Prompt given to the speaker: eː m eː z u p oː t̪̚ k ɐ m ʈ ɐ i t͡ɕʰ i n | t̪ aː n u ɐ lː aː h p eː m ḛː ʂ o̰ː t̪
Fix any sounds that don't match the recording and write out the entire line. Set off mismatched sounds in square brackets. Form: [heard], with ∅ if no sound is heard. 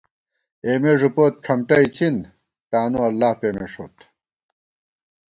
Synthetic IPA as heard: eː m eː [ʐ] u p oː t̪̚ [kʰ] ɐ m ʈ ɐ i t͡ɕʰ i n | t̪ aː n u ɐ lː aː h p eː m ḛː ʂ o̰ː t̪